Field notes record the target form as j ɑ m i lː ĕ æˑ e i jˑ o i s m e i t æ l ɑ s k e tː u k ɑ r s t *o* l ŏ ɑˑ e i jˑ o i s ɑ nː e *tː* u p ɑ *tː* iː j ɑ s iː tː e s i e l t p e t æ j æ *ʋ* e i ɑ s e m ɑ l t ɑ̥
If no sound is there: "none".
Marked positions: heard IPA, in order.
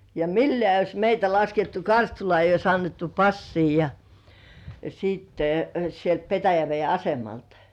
u, tː, sː, ʋ

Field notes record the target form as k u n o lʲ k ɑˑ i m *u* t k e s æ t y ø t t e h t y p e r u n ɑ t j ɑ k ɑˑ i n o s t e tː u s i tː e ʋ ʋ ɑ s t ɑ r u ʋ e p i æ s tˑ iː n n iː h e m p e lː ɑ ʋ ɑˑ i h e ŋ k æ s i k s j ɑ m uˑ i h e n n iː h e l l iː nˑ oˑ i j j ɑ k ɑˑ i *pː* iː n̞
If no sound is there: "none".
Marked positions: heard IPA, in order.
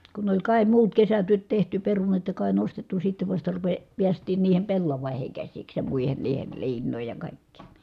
uː, kː

